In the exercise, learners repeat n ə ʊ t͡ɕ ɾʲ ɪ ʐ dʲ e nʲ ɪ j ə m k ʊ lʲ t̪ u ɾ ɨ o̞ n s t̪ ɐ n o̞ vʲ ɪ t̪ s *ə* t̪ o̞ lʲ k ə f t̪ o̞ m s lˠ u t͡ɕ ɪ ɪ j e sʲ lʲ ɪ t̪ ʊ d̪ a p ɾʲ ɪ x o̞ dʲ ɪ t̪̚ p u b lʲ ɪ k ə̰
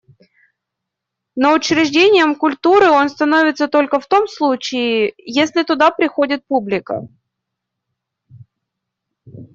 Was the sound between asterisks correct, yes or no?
yes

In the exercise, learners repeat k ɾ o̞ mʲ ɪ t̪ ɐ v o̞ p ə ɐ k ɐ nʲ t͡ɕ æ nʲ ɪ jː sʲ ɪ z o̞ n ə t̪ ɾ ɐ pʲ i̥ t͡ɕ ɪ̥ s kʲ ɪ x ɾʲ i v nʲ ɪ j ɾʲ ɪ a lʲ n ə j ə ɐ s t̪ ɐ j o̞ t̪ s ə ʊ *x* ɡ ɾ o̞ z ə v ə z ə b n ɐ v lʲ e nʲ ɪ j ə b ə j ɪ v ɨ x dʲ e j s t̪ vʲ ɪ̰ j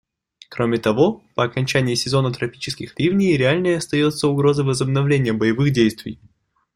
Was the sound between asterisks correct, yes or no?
no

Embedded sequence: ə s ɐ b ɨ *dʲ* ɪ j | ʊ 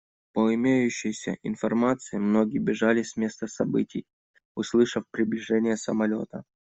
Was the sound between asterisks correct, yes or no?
no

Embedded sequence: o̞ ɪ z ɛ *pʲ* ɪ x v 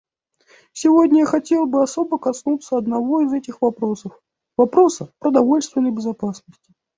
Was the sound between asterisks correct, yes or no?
no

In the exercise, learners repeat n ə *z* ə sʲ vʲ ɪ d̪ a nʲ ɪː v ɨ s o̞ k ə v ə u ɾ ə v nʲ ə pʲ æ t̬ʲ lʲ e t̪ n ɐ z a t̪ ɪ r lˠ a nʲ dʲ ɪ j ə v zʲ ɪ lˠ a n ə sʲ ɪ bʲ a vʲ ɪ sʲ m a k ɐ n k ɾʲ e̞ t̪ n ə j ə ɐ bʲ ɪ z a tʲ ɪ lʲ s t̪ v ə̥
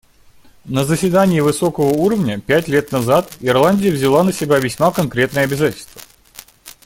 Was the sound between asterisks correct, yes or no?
yes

